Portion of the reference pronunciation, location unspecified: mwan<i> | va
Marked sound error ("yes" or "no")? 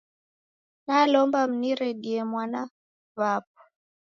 yes